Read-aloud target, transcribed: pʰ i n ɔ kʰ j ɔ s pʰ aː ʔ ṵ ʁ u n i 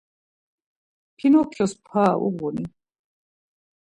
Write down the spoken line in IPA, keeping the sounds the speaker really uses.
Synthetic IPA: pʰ i n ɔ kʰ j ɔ s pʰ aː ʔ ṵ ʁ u n i